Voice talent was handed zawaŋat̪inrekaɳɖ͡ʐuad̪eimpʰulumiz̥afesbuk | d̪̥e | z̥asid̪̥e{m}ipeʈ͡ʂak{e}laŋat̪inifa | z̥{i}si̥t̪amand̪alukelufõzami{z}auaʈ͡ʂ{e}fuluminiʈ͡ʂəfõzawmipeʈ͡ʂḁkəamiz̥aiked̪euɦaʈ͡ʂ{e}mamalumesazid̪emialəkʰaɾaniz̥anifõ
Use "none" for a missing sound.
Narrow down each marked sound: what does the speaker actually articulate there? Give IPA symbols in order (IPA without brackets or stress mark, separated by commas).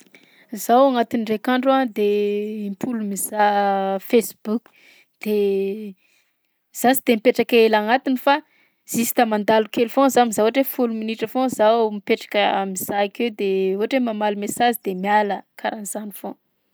m, e, i, z, e, e